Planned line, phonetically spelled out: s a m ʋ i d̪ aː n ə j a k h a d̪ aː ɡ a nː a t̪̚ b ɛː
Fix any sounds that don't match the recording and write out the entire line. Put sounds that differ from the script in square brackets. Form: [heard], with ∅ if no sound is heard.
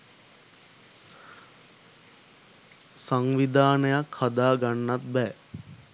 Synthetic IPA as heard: s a [ŋ] ʋ i d̪ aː n ə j a k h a d̪ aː ɡ a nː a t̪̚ b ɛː